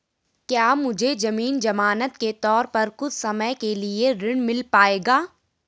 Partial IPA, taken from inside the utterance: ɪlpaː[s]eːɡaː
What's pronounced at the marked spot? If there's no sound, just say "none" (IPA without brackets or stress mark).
none